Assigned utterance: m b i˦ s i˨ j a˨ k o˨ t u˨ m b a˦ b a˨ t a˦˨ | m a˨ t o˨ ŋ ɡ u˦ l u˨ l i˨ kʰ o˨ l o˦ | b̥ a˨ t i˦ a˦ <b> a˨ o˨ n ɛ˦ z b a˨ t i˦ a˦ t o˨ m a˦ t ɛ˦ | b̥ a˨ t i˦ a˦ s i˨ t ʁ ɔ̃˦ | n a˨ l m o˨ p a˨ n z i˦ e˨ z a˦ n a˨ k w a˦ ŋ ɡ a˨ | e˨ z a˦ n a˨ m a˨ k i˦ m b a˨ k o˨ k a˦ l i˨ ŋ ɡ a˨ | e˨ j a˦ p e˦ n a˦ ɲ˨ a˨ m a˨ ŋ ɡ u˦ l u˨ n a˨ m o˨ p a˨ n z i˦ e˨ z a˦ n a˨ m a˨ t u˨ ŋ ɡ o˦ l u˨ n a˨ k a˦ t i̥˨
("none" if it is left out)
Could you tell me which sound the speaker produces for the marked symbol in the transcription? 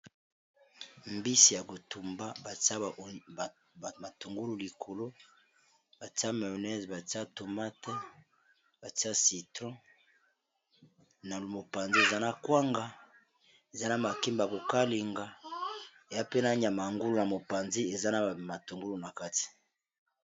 m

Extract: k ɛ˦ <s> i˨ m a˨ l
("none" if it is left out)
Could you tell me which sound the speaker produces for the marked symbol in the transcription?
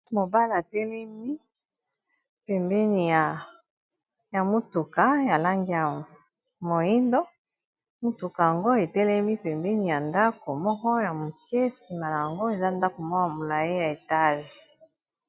s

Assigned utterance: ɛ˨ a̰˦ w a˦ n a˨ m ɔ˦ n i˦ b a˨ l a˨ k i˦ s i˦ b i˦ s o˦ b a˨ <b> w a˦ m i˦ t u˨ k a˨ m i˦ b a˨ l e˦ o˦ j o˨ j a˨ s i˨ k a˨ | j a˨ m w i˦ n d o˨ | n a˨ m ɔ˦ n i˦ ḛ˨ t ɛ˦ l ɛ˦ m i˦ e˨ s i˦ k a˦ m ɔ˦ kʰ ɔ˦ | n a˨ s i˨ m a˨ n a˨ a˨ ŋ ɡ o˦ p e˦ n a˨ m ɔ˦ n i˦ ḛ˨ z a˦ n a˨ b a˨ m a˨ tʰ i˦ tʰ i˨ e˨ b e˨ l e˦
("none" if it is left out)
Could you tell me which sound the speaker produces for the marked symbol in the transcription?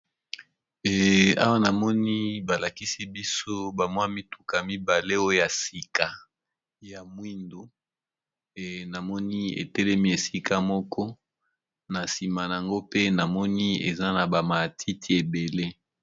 m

